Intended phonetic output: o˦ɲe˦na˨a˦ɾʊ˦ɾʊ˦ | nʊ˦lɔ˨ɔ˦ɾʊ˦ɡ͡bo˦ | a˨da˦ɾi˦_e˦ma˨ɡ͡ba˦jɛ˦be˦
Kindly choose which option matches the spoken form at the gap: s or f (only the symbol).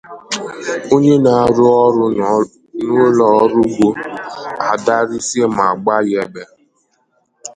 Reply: s